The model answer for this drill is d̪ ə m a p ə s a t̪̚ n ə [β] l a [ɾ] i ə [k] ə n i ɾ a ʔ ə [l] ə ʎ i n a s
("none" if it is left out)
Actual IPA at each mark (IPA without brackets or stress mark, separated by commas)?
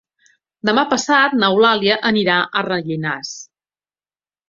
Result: w, l, ʔ, r